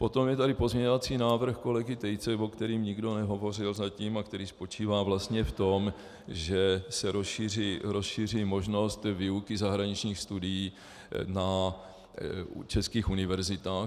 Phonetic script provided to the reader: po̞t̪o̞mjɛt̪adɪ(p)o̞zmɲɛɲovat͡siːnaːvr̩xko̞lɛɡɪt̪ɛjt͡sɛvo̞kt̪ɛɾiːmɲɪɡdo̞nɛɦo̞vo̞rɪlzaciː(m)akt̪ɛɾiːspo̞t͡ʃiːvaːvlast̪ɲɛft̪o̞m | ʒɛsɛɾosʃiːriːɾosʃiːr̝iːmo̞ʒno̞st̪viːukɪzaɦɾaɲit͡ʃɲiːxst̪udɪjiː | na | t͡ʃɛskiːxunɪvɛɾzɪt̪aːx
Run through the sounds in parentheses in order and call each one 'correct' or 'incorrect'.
correct, correct

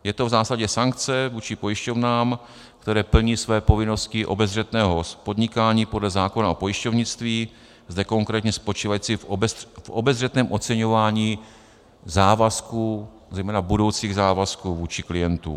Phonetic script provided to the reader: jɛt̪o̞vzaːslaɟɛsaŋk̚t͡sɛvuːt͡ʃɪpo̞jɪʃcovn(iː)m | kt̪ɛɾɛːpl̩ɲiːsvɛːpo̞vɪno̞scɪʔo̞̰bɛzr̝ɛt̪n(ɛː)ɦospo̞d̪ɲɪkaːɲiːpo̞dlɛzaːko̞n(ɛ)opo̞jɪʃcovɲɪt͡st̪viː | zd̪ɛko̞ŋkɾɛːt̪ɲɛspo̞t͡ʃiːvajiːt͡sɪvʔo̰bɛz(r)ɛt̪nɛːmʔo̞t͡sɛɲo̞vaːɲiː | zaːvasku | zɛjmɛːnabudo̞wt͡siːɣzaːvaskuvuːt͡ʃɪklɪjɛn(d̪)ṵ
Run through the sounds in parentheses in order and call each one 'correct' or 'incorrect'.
incorrect, correct, incorrect, correct, incorrect

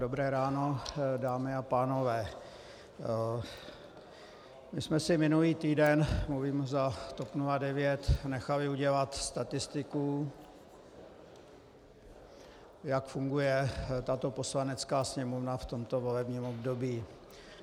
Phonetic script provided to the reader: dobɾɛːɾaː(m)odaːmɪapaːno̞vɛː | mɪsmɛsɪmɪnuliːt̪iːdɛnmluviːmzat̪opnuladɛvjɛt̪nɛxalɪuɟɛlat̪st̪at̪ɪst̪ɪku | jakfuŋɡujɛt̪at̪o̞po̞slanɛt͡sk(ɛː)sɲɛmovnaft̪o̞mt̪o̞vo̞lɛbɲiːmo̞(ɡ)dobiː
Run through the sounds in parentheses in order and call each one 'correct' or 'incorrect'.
incorrect, incorrect, incorrect

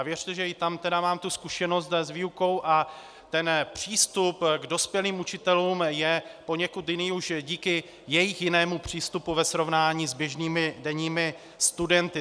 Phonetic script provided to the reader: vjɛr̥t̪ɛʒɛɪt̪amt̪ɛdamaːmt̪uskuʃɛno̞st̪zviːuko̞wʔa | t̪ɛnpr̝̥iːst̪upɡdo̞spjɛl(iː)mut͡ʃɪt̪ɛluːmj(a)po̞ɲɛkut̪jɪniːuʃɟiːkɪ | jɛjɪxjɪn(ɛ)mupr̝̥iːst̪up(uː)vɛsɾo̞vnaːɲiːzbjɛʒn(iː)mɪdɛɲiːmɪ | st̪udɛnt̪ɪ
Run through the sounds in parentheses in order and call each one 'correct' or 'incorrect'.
correct, incorrect, incorrect, incorrect, correct

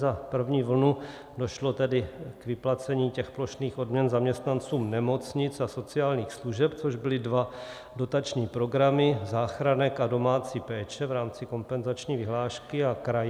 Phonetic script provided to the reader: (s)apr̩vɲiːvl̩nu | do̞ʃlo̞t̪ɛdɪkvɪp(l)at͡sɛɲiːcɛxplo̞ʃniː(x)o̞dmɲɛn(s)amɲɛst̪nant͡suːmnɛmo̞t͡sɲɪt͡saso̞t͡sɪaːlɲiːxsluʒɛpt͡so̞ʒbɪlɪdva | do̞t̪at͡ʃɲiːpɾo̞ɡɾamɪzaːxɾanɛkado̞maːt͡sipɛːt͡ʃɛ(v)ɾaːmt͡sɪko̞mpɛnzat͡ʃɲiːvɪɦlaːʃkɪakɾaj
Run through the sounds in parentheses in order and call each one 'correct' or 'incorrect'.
incorrect, correct, correct, incorrect, correct

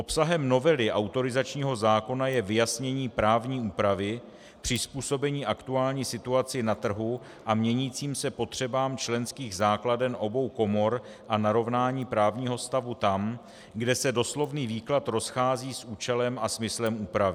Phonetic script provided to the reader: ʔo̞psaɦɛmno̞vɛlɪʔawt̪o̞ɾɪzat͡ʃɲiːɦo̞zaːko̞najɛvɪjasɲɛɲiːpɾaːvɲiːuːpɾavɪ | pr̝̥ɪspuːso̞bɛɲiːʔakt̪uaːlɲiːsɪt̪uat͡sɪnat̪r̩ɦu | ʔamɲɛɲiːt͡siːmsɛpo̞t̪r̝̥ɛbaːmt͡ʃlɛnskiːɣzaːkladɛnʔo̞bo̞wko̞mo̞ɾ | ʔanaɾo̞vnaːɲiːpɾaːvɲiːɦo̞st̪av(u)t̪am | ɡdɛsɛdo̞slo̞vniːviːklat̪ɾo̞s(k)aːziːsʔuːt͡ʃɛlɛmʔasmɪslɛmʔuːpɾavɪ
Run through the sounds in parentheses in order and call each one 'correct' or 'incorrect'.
correct, incorrect

